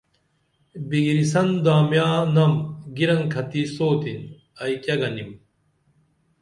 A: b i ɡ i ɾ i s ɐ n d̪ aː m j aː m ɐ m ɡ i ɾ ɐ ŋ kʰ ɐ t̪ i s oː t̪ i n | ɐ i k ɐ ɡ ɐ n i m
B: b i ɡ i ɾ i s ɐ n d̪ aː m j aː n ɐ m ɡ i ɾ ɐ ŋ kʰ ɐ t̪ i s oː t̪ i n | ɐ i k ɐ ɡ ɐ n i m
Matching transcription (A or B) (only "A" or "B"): B